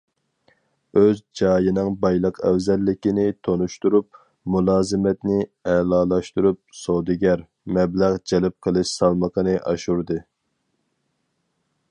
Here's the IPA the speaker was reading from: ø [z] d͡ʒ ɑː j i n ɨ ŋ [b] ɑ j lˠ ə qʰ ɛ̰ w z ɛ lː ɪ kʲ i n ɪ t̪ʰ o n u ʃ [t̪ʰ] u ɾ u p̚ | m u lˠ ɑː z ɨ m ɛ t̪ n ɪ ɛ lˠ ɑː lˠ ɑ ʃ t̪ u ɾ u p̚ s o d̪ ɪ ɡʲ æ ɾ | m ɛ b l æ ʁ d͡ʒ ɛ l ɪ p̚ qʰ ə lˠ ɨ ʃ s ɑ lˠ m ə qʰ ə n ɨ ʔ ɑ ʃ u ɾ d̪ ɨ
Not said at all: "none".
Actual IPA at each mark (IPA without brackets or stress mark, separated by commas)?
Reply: z, b, t̪